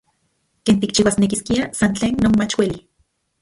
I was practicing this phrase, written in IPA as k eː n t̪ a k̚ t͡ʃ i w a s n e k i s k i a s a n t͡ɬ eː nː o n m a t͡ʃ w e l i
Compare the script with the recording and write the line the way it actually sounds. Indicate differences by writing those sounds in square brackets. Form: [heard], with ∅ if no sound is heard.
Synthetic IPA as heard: k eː n t̪ [i] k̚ t͡ʃ i w a s n e k i s k i a s a n t͡ɬ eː nː o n m a t͡ʃ w e l i